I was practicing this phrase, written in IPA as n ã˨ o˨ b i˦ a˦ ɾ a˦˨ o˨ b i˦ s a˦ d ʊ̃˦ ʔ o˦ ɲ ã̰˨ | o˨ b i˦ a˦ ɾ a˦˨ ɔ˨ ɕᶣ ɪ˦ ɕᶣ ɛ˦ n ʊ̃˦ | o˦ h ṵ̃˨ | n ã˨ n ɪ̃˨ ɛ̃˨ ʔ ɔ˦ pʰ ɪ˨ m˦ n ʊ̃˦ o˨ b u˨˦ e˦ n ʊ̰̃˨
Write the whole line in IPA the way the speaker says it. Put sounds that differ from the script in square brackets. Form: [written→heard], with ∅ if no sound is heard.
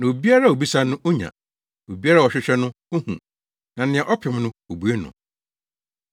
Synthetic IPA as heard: n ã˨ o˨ b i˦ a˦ ɾ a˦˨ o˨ b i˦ s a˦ [d→n] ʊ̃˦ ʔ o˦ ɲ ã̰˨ | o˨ b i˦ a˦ ɾ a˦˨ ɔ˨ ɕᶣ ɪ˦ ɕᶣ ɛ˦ n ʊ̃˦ | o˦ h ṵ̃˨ | n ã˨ n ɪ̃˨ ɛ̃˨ ʔ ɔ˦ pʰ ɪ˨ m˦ n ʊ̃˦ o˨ b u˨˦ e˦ n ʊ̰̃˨